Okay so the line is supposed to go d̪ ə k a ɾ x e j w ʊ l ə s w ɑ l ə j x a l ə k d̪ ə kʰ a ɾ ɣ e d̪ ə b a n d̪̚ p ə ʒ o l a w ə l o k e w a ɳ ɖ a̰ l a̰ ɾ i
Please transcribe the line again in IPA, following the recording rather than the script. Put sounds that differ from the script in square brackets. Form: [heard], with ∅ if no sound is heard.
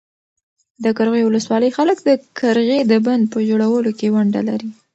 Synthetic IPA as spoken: d̪ ə k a ɾ [ɣ] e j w ʊ l ə s w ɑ l ə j x a l ə k d̪ ə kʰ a ɾ ɣ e d̪ ə b a n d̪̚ p ə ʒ o [ɽ] a w ə l o k e w a ɳ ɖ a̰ l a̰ ɾ i